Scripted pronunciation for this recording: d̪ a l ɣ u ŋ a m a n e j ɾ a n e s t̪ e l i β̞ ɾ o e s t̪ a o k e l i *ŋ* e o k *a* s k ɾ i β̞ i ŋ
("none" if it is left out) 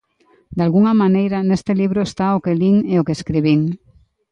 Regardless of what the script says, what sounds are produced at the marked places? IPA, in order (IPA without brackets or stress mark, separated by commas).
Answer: ŋ, e